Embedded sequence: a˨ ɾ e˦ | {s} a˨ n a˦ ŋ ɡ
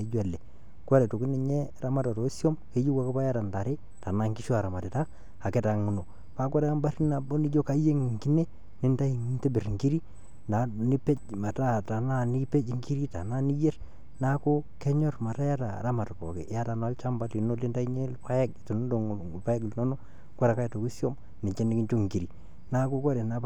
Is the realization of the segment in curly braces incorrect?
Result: yes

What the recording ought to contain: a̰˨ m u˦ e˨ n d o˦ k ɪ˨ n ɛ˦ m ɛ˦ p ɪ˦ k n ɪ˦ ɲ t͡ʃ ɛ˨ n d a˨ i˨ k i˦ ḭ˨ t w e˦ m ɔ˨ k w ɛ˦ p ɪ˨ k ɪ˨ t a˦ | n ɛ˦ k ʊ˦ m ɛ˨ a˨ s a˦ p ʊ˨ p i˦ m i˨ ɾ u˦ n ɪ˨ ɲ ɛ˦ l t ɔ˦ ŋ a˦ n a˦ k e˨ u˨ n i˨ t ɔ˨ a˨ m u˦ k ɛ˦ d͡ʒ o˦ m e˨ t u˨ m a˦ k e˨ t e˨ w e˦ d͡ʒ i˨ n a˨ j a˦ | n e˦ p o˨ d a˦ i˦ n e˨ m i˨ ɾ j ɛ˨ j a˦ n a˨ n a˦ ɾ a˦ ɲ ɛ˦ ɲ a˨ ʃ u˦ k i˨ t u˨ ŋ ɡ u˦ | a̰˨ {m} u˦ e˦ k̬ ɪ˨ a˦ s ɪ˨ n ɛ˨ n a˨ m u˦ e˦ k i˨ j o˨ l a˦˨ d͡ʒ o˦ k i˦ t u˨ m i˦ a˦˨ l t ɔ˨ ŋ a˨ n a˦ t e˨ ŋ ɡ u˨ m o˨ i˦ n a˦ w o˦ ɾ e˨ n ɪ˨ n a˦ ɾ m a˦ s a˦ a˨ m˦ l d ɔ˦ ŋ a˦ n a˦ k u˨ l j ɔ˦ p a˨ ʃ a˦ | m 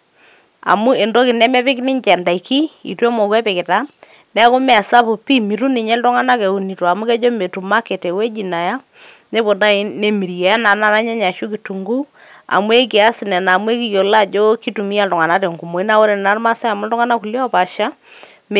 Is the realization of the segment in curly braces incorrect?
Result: no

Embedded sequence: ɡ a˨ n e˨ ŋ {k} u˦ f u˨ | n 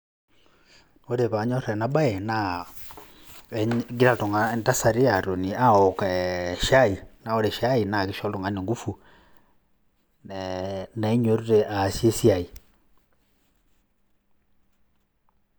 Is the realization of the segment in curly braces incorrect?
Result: yes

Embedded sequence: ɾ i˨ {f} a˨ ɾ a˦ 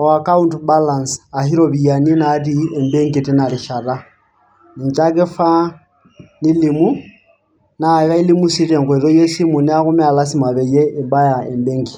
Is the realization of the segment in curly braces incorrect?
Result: yes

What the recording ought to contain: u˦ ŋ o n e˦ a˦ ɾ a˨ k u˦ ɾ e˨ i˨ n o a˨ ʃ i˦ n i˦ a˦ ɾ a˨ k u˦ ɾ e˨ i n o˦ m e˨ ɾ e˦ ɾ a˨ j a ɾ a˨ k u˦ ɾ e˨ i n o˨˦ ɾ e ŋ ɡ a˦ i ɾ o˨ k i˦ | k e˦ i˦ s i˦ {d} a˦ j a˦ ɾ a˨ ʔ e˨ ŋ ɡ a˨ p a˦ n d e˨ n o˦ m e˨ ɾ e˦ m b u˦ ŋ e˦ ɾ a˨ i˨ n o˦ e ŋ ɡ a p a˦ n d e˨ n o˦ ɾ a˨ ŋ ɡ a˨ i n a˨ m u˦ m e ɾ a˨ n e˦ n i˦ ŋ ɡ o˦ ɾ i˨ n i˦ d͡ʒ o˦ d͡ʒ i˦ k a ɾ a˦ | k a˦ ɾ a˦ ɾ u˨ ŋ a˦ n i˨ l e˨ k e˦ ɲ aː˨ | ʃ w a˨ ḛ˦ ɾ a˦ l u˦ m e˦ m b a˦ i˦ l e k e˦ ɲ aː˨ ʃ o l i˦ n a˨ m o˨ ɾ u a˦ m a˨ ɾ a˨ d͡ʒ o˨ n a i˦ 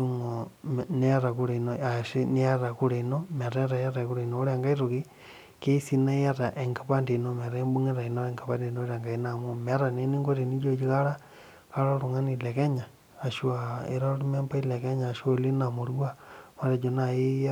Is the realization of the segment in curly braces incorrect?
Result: yes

